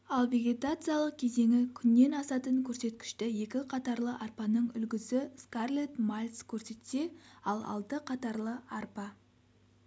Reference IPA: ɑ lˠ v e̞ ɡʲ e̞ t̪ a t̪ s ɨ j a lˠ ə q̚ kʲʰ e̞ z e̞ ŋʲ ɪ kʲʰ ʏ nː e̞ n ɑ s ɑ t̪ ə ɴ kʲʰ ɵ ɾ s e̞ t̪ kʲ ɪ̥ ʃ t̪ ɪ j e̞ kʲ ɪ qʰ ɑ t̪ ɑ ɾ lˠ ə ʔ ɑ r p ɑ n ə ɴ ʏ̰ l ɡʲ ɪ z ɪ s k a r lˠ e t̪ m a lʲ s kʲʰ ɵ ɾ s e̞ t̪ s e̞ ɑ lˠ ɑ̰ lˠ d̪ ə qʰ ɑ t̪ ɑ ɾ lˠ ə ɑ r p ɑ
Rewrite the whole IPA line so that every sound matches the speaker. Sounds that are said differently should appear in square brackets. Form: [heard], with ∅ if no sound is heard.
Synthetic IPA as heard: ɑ lˠ v e̞ ɡʲ e̞ t̪ a t̪ s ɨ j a lˠ ə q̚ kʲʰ e̞ z e̞ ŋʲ ɪ kʲʰ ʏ nː e̞ n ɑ s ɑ t̪ ə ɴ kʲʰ ɵ ɾ s e̞ t̪ kʲ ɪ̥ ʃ t̪ ɪ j e̞ kʲ ɪ qʰ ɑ t̪ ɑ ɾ lˠ ə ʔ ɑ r p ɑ n ə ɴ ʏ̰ l ɡʲ ɪ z ɪ s k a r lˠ e t̪ m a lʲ s kʲʰ ɵ ɾ s e̞ t̪ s e̞ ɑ lˠ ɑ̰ lˠ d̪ ə qʰ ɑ t̪ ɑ ɾ lˠ ə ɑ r p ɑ

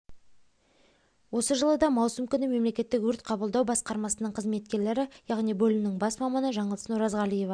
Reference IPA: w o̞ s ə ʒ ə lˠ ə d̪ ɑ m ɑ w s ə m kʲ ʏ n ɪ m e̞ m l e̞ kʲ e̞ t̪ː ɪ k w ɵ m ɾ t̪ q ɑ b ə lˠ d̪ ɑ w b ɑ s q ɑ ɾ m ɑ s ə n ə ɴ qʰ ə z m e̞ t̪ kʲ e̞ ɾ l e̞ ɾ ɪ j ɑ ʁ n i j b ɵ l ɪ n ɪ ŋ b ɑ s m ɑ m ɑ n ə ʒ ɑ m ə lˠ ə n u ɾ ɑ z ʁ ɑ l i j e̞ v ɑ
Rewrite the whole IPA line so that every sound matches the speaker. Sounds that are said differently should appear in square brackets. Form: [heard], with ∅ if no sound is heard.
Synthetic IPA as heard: w o̞ s ə ʒ ə lˠ ə d̪ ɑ m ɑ w s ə m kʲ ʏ n ɪ m e̞ m l e̞ kʲ e̞ t̪ː ɪ k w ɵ [∅] ɾ t̪ [qʰ] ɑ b ə lˠ d̪ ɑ w b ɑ s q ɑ ɾ m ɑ s ə n ə ɴ qʰ ə z m e̞ t̪ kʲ e̞ ɾ l e̞ ɾ ɪ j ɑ ʁ n i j b ɵ l ɪ n ɪ ŋ b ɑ s m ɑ m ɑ n ə ʒ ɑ [ɴ] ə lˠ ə n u ɾ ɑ z ʁ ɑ l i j e̞ v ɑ

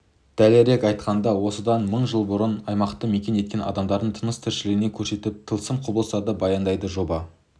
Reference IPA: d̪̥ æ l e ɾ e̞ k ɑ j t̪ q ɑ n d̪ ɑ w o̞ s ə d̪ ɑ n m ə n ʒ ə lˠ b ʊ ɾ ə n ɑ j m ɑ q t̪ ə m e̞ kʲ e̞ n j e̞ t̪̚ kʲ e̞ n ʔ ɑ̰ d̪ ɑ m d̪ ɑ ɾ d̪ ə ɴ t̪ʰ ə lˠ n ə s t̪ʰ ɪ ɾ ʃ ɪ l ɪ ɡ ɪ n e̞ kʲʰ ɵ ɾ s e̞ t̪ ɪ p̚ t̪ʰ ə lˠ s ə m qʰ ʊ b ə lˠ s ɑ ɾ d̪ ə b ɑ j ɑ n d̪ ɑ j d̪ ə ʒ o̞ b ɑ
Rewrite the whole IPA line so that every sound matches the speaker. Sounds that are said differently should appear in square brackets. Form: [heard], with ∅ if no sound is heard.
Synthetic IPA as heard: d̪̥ æ l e ɾ e̞ k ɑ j t̪ q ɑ n d̪ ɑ w o̞ s ə d̪ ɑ n m ə [ɴ] ʒ ə lˠ b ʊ ɾ ə n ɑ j m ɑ q t̪ ə m e̞ kʲ e̞ n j e̞ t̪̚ kʲ e̞ n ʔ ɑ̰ d̪ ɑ m d̪ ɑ ɾ d̪ ə ɴ t̪ʰ ə [∅] n ə s t̪ʰ ɪ ɾ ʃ ɪ l ɪ ɡ ɪ n e̞ kʲʰ ɵ ɾ s e̞ t̪ ɪ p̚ t̪ʰ ə lˠ s ə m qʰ ʊ b ə lˠ s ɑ [∅] d̪ ə b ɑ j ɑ n d̪ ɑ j d̪ ə ʒ o̞ b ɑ

